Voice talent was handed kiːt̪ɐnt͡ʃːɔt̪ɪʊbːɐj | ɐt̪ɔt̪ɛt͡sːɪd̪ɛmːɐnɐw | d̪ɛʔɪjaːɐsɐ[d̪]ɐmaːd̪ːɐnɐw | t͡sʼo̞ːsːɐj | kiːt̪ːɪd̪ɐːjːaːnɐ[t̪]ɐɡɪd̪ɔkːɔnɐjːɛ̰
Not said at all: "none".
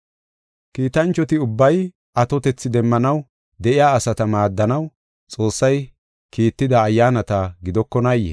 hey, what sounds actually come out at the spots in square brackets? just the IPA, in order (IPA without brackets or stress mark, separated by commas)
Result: t̪, t̪